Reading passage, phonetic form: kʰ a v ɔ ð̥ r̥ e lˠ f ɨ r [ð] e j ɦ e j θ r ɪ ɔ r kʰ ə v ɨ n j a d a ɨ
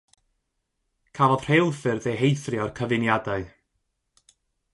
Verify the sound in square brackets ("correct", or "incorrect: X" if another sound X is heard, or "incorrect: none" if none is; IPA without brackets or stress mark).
correct